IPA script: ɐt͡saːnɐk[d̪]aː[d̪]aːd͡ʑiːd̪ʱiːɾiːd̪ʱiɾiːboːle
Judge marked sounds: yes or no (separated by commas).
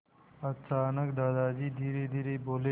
yes, yes